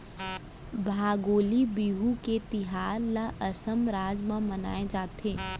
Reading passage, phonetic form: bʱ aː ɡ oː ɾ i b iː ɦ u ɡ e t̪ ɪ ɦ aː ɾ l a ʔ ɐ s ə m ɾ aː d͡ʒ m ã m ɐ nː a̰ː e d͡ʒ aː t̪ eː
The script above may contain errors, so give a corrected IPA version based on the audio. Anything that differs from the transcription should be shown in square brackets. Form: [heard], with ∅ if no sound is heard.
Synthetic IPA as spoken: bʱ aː ɡ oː [l] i b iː ɦ u [k] e t̪ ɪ ɦ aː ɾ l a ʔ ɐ s ə m ɾ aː d͡ʒ m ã m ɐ [n] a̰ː e d͡ʒ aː t̪ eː